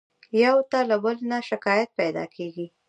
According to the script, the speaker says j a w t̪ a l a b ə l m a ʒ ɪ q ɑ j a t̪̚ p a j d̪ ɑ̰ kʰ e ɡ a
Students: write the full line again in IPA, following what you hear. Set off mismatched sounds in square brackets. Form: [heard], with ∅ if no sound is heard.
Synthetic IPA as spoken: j a w t̪ a l a b ə l [n] a [ʃ] ɪ [k] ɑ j a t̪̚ p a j d̪ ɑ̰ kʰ e ɡ [i]